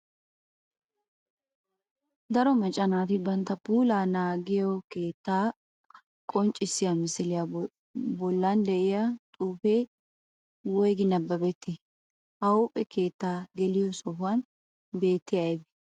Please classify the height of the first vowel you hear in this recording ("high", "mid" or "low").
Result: low